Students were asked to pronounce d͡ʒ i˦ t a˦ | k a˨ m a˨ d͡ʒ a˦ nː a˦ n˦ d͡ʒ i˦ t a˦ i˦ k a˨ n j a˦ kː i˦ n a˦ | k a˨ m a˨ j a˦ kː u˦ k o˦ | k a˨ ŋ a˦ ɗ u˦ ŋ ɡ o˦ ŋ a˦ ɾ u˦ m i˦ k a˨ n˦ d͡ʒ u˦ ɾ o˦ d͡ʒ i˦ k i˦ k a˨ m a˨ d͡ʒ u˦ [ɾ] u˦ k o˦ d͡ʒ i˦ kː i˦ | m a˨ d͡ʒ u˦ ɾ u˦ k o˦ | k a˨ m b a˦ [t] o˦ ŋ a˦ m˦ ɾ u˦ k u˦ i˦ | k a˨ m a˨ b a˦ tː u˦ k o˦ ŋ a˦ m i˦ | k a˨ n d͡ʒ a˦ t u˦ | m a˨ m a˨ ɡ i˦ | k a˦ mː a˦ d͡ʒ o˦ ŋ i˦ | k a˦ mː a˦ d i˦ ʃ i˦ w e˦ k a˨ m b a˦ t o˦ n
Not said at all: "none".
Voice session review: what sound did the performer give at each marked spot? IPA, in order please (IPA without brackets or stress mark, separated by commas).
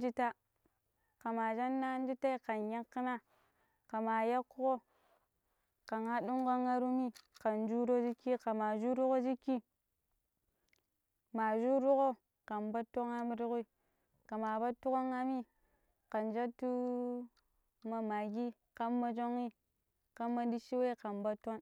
ɾ, t